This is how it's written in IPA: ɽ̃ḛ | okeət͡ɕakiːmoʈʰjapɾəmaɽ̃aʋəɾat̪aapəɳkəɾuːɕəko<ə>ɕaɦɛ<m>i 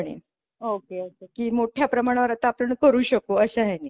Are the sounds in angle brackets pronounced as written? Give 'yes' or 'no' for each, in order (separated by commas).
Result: yes, no